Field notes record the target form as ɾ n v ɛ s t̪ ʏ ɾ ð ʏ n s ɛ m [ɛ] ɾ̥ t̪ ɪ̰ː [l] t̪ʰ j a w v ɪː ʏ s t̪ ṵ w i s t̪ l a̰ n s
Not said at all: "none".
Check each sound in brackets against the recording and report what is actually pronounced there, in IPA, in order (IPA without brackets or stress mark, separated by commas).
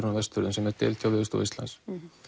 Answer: ɛ, l